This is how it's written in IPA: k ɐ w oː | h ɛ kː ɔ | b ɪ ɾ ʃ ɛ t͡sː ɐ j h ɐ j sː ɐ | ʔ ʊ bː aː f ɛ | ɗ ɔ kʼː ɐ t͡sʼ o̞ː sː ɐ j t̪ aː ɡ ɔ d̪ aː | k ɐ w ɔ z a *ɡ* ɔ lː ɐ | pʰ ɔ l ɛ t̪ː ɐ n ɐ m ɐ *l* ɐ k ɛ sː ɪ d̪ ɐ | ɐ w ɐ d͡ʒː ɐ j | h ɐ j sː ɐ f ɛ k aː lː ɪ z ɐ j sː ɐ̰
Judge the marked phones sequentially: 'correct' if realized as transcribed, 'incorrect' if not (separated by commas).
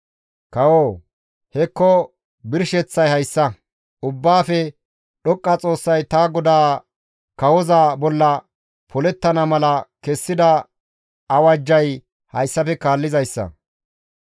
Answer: incorrect, correct